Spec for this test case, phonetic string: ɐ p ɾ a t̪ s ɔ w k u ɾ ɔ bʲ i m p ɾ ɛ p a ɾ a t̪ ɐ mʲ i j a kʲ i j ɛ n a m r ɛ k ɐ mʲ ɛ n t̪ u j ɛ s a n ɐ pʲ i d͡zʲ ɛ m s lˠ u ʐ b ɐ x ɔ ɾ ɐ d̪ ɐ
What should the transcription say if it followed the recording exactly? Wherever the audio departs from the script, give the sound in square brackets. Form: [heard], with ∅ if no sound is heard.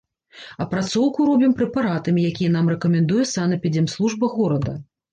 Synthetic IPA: ɐ p ɾ a t̪ s ɔ w k u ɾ ɔ bʲ i m p ɾ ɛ p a ɾ a t̪ ɐ mʲ i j a kʲ i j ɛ n a m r ɛ k ɐ mʲ ɛ n [d̪] u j ɛ s a n ɐ pʲ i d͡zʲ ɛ m s lˠ u ʐ b ɐ [ɣ] ɔ ɾ ɐ d̪ ɐ